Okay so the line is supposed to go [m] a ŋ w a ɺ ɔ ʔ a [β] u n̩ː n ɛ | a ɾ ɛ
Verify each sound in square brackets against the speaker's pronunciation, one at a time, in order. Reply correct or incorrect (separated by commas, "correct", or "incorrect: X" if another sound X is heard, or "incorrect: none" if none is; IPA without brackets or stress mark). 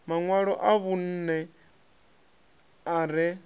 correct, correct